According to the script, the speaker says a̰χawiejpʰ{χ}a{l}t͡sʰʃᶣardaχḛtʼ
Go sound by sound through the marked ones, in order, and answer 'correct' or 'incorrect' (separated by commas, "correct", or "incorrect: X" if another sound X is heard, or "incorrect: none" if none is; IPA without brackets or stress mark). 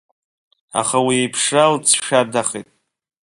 incorrect: ʂ, correct